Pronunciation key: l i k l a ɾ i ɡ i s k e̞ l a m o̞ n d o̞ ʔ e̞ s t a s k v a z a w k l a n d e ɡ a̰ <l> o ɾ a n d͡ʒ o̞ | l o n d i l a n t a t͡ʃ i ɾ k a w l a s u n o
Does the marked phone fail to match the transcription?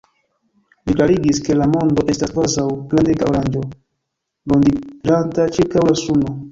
yes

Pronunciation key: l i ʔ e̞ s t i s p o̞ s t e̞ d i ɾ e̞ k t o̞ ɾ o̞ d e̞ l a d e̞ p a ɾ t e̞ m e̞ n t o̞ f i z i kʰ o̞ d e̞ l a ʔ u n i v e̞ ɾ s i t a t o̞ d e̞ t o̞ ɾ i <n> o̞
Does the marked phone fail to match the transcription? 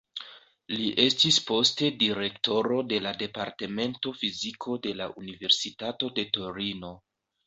no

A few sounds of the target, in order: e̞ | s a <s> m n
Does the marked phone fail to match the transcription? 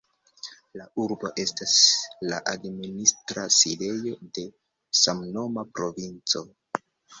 yes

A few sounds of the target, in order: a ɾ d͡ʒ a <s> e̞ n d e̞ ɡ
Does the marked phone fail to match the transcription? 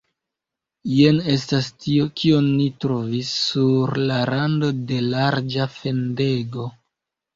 yes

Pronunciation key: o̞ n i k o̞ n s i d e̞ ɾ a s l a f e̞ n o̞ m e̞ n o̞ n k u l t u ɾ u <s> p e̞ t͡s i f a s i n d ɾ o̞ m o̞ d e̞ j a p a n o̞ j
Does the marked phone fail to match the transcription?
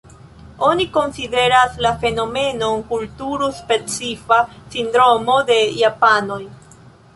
no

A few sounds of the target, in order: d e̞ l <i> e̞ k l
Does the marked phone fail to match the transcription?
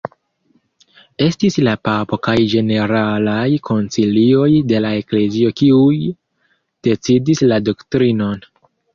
yes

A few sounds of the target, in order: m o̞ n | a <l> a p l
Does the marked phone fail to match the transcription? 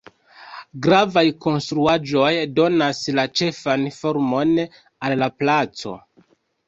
yes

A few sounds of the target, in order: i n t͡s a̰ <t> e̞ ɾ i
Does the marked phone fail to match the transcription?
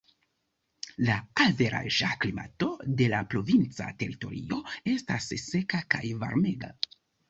no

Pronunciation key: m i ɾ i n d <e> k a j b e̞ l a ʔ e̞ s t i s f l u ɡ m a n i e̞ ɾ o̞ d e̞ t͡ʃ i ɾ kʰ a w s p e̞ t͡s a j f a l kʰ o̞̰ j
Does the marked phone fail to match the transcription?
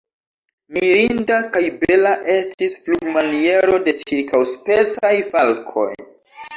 yes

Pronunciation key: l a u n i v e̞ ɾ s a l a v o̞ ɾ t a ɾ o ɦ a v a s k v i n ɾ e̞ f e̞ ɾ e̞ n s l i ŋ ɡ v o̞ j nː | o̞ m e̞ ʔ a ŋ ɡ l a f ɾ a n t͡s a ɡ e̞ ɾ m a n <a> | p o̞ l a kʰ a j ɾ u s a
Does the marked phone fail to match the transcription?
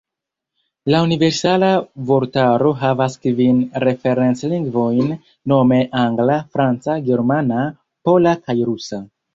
no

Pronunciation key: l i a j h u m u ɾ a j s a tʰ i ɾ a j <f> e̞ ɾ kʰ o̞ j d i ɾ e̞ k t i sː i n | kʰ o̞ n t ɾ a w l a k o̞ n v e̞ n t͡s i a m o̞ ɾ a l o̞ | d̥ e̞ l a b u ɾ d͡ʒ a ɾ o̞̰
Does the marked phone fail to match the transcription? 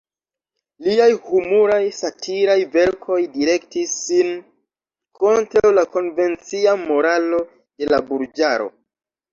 yes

